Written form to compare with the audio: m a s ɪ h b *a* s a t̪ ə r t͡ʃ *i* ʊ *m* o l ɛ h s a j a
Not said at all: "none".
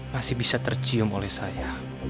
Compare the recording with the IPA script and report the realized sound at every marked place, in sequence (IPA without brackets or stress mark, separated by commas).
i, i, m